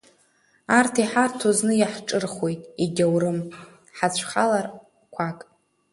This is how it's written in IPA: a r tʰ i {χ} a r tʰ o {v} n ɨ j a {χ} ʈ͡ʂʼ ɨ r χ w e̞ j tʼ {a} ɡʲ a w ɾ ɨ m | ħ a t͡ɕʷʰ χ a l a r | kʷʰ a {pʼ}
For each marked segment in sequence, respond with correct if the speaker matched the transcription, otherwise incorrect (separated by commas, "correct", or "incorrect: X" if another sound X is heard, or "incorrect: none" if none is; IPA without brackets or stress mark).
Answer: incorrect: ħ, incorrect: z, incorrect: ħ, incorrect: i, incorrect: kʼ